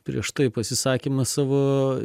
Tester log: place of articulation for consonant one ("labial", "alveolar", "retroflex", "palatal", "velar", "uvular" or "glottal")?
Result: labial